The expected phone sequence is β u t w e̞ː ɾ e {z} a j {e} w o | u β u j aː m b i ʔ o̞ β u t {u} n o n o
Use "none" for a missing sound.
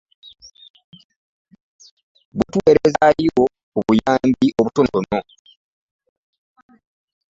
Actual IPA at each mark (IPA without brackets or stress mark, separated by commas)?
z, i, o